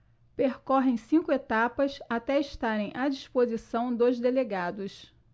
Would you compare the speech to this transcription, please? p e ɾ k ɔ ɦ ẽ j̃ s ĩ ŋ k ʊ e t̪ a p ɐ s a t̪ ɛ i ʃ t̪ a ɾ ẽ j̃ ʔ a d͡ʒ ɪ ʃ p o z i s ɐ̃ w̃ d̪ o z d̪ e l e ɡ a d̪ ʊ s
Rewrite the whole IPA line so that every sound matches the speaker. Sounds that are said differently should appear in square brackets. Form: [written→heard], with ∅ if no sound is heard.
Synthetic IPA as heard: p e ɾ k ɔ ɦ ẽ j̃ s ĩ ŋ k ʊ e t̪ a p ɐ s a t̪ ɛ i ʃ t̪ a ɾ ẽ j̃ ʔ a d͡ʒ [ɪ→i] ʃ p o z i s ɐ̃ w̃ d̪ o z d̪ e l e ɡ a d̪ ʊ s

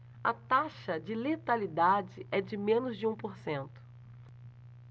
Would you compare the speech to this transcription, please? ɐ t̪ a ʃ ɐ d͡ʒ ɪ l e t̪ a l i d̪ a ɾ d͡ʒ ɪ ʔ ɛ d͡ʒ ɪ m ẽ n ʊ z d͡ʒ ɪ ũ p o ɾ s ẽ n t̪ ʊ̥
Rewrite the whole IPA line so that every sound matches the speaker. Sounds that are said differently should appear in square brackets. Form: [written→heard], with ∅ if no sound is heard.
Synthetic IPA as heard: ɐ t̪ a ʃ ɐ d͡ʒ ɪ l e t̪ a l i d̪ a [ɾ→∅] d͡ʒ ɪ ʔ ɛ d͡ʒ ɪ m ẽ n ʊ z d͡ʒ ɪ ũ p o ɾ s ẽ n t̪ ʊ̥

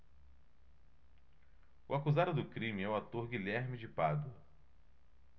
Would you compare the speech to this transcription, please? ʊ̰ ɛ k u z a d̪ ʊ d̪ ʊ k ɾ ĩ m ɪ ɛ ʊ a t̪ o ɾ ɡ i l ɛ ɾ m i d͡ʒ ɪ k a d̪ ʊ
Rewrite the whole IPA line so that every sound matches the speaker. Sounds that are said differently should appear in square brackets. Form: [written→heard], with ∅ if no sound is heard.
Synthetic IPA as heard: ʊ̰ [ɛ→a] k u z a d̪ ʊ d̪ ʊ k ɾ ĩ m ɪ ɛ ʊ a t̪ o ɾ ɡ i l ɛ ɾ m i d͡ʒ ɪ [k→p] a d̪ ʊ

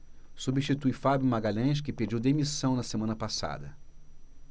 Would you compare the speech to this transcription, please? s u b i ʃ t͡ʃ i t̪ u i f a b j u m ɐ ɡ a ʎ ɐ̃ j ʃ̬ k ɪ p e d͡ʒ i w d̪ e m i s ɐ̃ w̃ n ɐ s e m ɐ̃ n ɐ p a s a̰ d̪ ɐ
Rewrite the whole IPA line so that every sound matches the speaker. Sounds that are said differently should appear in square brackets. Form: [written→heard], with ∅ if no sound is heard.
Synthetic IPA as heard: s u b i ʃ t͡ʃ i t̪ u [i→j] f a b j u m [ɐ→a] ɡ a ʎ ɐ̃ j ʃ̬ k ɪ p e d͡ʒ i w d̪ e m i s ɐ̃ w̃ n ɐ s e m ɐ̃ n ɐ p a s a̰ d̪ ɐ

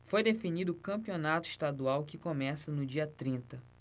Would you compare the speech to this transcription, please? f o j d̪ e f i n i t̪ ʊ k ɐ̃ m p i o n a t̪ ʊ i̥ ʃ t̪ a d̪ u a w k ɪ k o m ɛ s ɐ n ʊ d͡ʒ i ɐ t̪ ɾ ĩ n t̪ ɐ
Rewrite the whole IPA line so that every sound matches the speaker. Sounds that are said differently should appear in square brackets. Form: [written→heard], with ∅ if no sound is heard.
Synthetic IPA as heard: f o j d̪ e f i n i [t̪→d̪] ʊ k ɐ̃ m p i o n a t̪ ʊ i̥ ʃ t̪ a d̪ u a w k ɪ k o m ɛ s ɐ n ʊ d͡ʒ i ɐ t̪ ɾ ĩ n t̪ ɐ

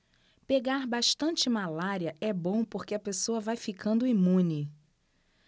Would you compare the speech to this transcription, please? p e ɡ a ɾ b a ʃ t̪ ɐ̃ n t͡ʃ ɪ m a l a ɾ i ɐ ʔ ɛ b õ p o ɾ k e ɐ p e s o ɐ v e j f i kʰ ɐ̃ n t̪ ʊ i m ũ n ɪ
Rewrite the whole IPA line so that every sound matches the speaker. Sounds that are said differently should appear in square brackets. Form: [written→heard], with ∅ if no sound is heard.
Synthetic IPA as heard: p e ɡ a ɾ b a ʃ t̪ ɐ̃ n t͡ʃ ɪ m a l a ɾ i ɐ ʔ ɛ b õ p o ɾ k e ɐ p e s o ɐ v [e→a] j f i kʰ ɐ̃ n [t̪→d̪] ʊ i m ũ n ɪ

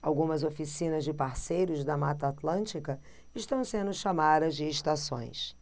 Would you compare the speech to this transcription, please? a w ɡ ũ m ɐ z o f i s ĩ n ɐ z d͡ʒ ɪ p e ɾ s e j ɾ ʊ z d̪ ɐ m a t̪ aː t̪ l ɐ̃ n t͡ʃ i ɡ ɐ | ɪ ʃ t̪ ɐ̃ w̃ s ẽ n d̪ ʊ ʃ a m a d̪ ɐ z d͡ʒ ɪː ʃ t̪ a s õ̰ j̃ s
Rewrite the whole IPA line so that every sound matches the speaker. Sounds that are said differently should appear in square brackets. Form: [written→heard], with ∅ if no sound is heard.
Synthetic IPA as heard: a w ɡ ũ m ɐ z o f i s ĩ n ɐ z d͡ʒ ɪ p [e→a] ɾ s e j ɾ ʊ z d̪ ɐ m a t̪ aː t̪ l ɐ̃ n t͡ʃ i [ɡ→k] ɐ | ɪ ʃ t̪ ɐ̃ w̃ s ẽ n d̪ ʊ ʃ a m a d̪ ɐ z d͡ʒ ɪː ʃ t̪ a s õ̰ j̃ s

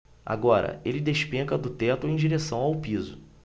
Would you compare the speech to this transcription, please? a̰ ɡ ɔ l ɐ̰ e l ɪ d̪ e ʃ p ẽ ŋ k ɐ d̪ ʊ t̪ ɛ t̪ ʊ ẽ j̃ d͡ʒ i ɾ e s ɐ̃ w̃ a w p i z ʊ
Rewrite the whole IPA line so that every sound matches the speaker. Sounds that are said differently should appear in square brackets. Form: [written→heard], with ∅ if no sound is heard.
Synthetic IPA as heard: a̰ ɡ ɔ [l→ɾ] ɐ̰ e l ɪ d̪ e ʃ p ẽ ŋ k ɐ d̪ ʊ t̪ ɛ t̪ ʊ ẽ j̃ d͡ʒ i ɾ e s ɐ̃ w̃ a w p i z ʊ

